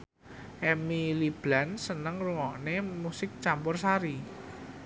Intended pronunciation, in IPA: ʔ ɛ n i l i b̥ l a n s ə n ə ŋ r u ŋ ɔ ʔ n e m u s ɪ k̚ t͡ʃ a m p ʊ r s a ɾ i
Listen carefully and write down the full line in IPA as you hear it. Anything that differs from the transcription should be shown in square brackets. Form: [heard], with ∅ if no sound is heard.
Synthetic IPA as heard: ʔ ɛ [m] i l i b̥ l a n s ə n ə ŋ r u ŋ ɔ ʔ n e m u s ɪ k̚ t͡ʃ a m p ʊ r s a ɾ i